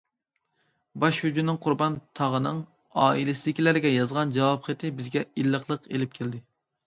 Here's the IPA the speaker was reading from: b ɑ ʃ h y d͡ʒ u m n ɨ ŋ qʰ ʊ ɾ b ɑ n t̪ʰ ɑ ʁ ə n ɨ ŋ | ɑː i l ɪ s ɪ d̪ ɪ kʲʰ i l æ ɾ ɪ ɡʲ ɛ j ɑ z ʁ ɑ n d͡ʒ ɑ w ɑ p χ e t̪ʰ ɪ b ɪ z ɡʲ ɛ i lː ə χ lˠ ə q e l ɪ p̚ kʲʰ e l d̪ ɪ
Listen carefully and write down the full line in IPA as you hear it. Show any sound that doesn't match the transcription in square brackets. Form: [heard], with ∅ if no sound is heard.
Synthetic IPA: b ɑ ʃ h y d͡ʒ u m n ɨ ŋ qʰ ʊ ɾ b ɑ n t̪ʰ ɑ ʁ ə n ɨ ŋ | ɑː i l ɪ s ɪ d̪ ɪ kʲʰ i l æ ɾ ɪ ɡʲ ɛ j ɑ z ʁ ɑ n d͡ʒ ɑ w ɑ p χ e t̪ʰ ɪ b ɪ z ɡʲ ɛ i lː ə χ lˠ ə q e l ɪ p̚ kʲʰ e l d̪ ɪ

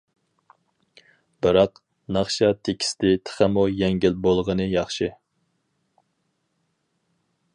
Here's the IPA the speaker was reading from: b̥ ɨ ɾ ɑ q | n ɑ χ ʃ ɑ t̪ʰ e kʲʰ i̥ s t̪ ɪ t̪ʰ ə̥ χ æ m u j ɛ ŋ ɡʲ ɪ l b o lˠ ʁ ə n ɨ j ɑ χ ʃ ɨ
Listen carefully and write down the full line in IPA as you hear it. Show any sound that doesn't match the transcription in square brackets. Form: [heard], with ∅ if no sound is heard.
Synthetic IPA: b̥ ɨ ɾ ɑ q | n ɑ χ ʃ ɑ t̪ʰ e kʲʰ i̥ s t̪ ɪ t̪ʰ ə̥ χ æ m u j ɛ ŋ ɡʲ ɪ l b o lˠ ʁ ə n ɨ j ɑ χ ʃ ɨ

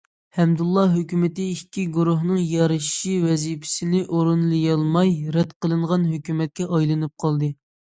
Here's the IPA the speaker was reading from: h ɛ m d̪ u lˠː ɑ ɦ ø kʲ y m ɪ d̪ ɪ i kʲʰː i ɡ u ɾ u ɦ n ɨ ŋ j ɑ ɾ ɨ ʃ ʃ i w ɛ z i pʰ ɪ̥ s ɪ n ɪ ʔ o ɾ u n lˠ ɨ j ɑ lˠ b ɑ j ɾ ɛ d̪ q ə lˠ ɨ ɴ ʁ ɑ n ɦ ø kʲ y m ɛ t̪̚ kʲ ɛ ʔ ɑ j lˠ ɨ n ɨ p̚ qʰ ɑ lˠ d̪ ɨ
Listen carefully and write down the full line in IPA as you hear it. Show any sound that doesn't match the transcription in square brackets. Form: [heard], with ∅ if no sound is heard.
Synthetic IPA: h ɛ m d̪ u lˠː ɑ ɦ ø kʲ y m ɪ [t̪] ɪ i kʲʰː i ɡ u ɾ u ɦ n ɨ ŋ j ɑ ɾ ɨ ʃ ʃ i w ɛ z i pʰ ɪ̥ s ɪ n ɪ ʔ o ɾ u n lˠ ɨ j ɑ lˠ [m] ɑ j ɾ ɛ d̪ q ə lˠ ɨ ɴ ʁ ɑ n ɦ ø kʲ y m ɛ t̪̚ kʲ ɛ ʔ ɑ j lˠ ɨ n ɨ p̚ qʰ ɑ lˠ d̪ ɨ

